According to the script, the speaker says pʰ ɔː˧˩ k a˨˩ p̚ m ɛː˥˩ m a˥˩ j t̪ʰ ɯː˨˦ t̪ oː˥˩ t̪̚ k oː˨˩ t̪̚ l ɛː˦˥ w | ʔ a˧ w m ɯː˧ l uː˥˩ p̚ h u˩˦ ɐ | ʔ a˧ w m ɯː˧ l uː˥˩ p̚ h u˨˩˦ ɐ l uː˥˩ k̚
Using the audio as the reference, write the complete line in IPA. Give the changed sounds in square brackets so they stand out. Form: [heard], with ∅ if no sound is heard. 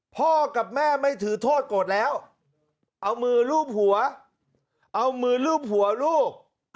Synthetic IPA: pʰ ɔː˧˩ k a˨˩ p̚ m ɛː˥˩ m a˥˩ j t̪ʰ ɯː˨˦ [t̪ʰ] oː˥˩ t̪̚ k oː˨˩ t̪̚ l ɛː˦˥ w | ʔ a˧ w m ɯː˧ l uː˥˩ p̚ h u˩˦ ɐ | ʔ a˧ w m ɯː˧ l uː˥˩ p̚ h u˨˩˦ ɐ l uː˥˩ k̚